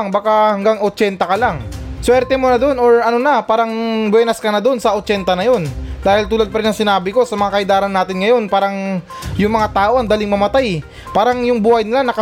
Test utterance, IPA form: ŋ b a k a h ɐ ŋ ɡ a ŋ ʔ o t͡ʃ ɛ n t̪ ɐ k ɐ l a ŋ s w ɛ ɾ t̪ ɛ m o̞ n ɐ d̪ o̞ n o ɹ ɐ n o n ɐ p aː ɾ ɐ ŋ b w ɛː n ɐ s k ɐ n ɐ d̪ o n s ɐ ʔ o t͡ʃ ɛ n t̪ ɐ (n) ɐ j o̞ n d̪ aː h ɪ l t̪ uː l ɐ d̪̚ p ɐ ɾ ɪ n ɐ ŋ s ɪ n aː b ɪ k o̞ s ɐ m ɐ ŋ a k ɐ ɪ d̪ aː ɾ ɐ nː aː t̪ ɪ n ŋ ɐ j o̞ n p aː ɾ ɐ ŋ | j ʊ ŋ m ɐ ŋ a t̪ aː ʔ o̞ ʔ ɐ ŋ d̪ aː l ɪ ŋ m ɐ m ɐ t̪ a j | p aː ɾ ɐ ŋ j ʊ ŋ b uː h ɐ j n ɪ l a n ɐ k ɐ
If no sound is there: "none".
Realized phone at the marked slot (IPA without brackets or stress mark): n